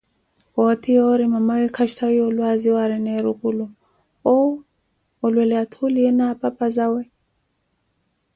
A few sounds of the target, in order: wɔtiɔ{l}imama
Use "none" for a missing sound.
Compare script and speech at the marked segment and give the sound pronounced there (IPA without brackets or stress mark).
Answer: ɾ